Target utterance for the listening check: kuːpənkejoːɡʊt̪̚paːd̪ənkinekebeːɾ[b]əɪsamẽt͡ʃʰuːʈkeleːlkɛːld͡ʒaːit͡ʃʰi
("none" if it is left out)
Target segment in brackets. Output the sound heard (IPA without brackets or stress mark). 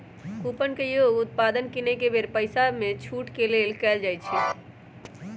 p